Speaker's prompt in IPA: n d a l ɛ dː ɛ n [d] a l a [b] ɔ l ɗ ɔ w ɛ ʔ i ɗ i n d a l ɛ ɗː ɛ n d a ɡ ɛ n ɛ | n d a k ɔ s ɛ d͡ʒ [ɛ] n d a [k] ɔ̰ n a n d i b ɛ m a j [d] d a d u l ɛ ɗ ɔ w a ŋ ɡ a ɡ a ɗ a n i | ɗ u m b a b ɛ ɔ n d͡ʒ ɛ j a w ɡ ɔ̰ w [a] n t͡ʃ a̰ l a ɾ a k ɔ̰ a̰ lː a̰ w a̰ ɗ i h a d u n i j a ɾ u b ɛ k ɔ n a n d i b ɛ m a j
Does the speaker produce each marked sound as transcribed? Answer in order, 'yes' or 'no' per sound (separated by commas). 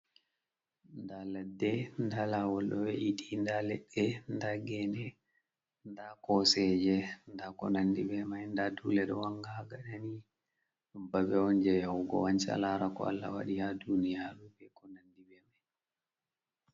yes, no, yes, yes, no, yes